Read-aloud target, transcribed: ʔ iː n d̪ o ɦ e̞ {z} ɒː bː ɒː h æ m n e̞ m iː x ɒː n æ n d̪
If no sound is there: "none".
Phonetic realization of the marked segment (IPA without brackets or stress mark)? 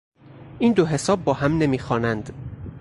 s